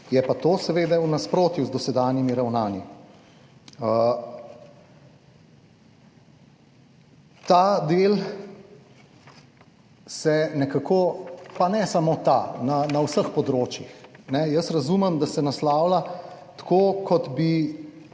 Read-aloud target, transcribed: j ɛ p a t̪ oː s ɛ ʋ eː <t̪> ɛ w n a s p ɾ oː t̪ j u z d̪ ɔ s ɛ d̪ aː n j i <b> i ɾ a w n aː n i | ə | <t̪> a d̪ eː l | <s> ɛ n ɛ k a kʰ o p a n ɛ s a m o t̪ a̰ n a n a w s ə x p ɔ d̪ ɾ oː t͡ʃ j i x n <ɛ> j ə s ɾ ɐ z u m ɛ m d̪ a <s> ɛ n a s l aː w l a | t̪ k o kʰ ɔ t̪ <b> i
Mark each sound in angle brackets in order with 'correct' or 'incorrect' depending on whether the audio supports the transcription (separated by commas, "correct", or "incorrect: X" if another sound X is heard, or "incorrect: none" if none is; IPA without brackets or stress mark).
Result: incorrect: d̪, incorrect: m, correct, correct, correct, correct, correct